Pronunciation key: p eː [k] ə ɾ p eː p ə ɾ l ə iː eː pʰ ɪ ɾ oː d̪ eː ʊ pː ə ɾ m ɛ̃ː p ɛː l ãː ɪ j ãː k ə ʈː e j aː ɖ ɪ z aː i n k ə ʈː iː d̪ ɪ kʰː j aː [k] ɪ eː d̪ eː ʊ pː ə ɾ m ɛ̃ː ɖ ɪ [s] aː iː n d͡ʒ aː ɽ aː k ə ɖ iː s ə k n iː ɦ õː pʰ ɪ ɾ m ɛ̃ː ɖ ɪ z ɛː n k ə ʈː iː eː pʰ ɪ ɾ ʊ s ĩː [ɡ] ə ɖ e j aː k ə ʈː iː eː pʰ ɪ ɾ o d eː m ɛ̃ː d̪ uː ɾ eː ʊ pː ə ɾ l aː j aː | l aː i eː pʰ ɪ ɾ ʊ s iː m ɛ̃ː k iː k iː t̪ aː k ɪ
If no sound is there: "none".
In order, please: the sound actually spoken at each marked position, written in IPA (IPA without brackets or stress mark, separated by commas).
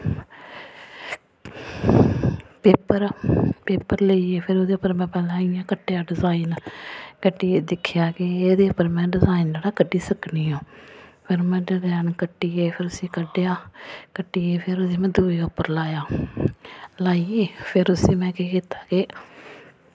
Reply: p, k, z, k